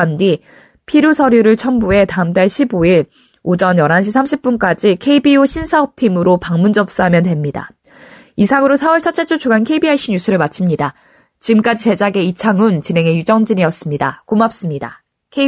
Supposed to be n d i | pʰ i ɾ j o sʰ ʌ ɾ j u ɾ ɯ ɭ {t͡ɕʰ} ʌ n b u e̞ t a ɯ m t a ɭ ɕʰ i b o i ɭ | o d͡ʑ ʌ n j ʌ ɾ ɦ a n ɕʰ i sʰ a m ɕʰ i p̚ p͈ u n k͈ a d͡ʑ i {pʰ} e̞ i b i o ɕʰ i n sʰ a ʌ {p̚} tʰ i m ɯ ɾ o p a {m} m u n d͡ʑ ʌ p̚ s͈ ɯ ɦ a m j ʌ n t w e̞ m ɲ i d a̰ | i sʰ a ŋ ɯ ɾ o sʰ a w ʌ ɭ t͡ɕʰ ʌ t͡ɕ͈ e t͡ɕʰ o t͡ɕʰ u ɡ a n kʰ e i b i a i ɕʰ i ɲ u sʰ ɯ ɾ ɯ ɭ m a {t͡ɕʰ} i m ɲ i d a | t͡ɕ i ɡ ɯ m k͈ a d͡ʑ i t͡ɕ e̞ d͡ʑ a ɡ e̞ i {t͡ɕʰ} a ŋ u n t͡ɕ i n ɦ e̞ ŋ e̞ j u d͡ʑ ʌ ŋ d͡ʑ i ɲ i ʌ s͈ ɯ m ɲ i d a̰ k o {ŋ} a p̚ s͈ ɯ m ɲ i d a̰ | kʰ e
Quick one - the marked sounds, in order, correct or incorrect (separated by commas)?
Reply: correct, incorrect, correct, incorrect, correct, correct, incorrect